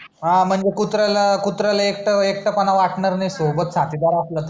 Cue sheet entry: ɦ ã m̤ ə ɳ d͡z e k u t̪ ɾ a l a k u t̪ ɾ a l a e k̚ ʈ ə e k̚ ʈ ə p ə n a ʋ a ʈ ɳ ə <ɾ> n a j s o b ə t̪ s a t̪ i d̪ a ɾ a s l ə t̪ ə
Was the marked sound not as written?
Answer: no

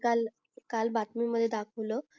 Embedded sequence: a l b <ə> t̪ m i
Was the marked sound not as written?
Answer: yes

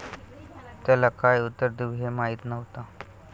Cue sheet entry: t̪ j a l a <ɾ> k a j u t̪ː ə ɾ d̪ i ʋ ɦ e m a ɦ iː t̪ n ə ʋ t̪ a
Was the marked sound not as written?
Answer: yes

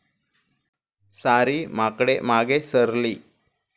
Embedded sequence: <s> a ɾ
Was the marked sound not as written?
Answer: no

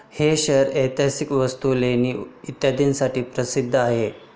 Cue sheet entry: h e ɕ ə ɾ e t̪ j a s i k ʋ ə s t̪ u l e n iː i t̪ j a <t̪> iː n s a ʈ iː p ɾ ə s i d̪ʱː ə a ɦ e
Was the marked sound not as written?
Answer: yes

